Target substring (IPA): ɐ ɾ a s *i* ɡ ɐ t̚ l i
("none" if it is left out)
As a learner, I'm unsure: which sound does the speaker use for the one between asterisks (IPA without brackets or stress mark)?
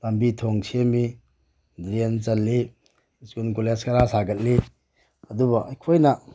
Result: a